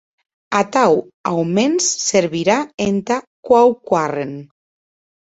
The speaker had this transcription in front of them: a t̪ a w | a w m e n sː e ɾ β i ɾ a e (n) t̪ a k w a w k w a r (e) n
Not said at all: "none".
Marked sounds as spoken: n, e

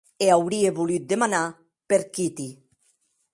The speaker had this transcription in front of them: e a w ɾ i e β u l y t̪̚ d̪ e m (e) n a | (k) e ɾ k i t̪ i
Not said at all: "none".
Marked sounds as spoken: a, p

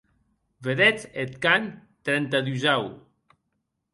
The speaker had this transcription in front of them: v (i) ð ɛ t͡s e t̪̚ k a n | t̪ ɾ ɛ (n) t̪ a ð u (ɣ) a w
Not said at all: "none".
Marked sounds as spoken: e, n, z

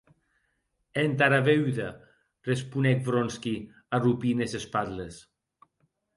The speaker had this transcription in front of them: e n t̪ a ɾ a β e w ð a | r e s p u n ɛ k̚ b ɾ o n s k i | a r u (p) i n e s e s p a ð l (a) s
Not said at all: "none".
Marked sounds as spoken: p, e

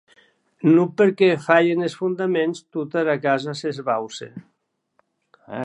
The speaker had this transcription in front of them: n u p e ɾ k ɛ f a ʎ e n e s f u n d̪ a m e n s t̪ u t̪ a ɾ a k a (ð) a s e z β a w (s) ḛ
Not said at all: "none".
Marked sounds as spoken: z, s

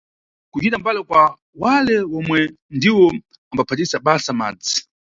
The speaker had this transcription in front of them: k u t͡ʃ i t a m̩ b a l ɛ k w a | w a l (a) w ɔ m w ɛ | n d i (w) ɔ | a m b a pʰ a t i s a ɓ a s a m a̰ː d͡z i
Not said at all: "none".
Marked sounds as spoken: ɛ, w

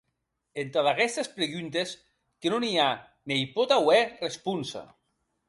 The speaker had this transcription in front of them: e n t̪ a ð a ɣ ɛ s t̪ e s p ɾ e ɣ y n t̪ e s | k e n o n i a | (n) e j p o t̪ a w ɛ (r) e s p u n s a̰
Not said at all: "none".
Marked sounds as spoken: n, r

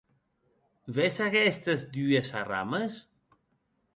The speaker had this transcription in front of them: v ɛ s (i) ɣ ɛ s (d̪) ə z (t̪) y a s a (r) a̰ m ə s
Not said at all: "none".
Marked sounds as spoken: a, t̪, d̪, r

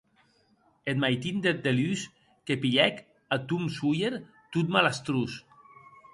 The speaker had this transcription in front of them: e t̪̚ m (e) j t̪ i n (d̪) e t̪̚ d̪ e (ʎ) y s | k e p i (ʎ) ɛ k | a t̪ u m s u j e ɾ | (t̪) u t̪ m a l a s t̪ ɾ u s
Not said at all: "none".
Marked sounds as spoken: a, d̪, l, ʎ, t̪

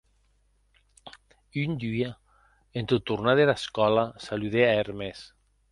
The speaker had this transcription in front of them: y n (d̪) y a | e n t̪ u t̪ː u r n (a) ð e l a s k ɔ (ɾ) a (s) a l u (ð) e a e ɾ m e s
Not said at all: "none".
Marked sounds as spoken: d̪, a, l, s, ð

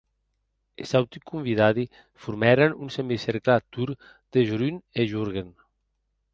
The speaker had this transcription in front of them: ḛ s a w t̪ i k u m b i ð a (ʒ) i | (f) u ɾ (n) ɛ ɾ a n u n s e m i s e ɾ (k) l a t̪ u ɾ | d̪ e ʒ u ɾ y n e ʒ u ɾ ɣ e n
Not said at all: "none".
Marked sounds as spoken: ð, f, m, k

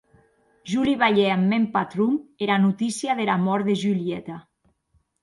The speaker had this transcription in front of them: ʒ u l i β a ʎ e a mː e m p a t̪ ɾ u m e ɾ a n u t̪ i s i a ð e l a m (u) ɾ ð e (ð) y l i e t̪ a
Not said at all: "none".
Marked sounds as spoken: ɔ, ʒ

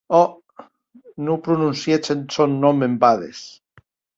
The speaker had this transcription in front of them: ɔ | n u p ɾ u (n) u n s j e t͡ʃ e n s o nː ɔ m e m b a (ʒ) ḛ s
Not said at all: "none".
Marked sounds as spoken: n, ð

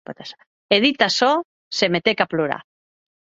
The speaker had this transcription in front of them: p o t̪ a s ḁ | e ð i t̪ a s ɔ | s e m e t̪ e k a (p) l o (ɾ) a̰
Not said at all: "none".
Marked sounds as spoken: p, ɾ

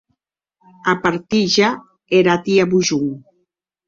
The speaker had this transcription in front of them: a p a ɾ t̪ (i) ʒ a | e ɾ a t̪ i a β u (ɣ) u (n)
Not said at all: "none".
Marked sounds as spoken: i, ʒ, ŋ

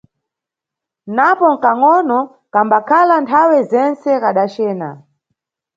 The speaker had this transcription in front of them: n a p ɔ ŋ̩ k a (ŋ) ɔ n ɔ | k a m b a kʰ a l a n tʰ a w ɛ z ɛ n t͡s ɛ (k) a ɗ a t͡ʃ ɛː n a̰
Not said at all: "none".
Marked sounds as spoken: ŋ, k

